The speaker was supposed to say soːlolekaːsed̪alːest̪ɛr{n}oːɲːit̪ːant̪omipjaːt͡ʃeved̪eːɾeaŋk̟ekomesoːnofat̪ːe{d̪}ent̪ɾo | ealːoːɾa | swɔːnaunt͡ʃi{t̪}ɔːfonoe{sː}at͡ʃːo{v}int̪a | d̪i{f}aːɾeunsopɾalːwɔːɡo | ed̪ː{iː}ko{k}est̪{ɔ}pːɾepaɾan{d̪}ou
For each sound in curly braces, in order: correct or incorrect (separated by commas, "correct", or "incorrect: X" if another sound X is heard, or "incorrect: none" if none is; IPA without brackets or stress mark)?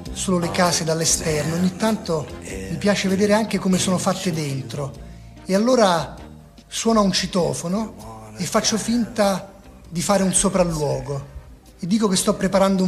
correct, correct, correct, incorrect: fː, incorrect: f, correct, correct, correct, correct, correct